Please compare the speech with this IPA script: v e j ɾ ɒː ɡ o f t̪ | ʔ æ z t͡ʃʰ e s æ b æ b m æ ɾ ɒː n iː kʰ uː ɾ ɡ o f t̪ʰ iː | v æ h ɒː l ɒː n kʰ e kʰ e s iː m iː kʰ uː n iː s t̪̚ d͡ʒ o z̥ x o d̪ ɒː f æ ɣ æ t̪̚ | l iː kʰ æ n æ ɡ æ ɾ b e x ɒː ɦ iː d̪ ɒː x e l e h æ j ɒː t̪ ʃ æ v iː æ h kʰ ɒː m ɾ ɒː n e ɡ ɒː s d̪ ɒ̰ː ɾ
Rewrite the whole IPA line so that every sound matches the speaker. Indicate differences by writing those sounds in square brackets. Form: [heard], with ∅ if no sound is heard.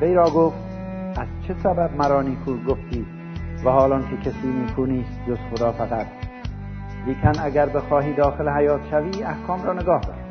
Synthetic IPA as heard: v e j ɾ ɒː ɡ o f t̪ | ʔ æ z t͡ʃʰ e s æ b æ b m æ ɾ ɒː n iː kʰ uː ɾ ɡ o f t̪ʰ iː | v æ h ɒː l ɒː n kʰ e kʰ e s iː m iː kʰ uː n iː s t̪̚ d͡ʒ o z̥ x o d̪ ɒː f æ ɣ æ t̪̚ | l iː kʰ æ n æ ɡ æ ɾ b e x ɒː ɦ iː d̪ ɒː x e l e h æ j ɒː t̪ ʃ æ v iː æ h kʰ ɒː m ɾ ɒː n e ɡ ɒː [h] d̪ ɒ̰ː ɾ